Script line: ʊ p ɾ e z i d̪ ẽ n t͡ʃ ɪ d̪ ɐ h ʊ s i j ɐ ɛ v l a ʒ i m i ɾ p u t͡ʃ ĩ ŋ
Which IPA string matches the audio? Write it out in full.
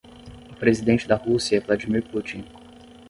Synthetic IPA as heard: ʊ p ɾ e z i d̪ ẽ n t͡ʃ ɪ d̪ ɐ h u s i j ɐ ɛ v l a d͡ʒ i m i ɾ p u t͡ʃ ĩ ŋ